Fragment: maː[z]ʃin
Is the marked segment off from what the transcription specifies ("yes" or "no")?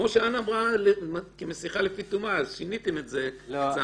no